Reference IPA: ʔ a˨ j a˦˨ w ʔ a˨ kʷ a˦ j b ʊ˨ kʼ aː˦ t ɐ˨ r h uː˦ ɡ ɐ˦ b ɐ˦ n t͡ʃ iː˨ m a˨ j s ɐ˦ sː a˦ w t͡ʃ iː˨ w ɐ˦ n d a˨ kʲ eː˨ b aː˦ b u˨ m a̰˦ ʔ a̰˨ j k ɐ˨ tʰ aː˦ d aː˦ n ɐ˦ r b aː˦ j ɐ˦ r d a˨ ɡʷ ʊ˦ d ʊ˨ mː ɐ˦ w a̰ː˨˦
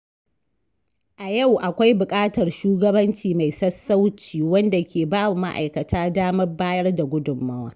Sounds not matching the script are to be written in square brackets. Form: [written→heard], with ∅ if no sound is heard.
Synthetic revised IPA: ʔ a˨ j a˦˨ w ʔ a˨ kʷ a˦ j b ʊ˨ kʼ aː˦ t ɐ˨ r [h→ʃ] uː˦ ɡ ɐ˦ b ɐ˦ n t͡ʃ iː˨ m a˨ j s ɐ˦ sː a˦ w t͡ʃ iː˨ w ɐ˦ n d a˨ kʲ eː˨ b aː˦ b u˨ m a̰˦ ʔ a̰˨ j k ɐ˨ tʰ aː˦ d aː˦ [n→m] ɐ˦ r b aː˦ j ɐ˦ r d a˨ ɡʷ ʊ˦ d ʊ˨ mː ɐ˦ w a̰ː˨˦